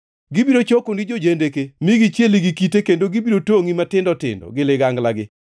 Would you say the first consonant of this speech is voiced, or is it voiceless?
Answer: voiced